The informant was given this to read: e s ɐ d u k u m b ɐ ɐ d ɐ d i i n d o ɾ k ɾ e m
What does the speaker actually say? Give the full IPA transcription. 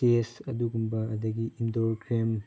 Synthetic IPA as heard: e s ɐ d u ɡ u m b ɐ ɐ d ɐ ɡ i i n d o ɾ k ɾ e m